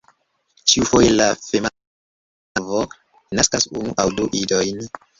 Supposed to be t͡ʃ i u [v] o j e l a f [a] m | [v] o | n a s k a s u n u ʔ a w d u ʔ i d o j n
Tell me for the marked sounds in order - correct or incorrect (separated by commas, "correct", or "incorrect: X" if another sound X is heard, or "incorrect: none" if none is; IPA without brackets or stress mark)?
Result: incorrect: f, incorrect: e, correct